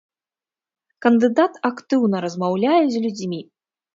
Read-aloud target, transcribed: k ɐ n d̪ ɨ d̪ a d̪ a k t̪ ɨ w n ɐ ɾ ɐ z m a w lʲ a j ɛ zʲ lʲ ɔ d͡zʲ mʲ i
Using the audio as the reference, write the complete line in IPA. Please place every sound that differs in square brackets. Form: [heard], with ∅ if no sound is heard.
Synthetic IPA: k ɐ n d̪ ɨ d̪ a [t̪] a k t̪ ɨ w n ɐ ɾ ɐ z m a w lʲ a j ɛ zʲ lʲ [u] d͡zʲ mʲ i